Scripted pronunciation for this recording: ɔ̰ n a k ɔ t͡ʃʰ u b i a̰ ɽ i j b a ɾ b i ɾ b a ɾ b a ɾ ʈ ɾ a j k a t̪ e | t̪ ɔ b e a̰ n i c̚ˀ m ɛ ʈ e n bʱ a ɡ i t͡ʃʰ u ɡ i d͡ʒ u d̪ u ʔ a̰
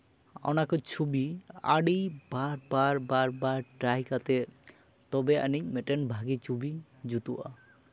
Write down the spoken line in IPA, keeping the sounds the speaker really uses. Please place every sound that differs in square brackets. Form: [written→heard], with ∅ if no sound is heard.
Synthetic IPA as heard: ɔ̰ n a k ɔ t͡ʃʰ u b i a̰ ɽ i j b a ɾ b [i→a] ɾ b a ɾ b a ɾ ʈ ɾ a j k a t̪ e | t̪ ɔ b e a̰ n i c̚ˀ m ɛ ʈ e n bʱ a ɡ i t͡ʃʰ u [ɡ→b] i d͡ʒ u [d̪→t̪] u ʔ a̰